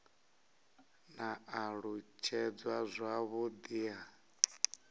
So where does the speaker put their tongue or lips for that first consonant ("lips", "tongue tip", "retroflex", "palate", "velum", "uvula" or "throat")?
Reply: tongue tip